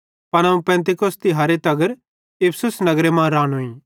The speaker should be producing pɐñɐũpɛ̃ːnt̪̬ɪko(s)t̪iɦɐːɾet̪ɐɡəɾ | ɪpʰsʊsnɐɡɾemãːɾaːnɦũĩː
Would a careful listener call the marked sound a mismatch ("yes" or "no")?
no